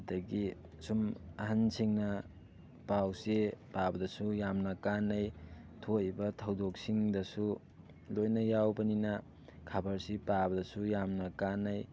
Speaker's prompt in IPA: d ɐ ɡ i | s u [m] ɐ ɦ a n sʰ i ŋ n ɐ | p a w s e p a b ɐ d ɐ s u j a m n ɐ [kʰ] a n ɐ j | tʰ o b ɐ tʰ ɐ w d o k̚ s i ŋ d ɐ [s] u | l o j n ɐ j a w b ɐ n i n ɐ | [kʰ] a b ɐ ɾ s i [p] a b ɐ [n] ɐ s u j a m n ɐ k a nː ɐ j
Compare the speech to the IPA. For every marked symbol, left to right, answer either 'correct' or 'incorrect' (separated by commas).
correct, incorrect, correct, correct, correct, incorrect